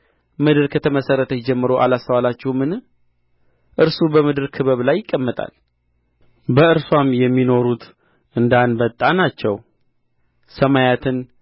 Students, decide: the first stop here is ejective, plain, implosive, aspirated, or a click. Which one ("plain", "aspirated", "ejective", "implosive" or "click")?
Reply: plain